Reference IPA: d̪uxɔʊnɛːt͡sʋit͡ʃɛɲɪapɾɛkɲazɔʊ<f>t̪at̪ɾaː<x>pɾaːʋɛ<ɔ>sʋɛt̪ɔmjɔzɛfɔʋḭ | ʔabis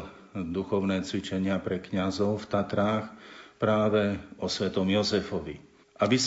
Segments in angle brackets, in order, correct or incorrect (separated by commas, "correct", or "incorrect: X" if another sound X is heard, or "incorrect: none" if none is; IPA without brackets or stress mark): correct, correct, correct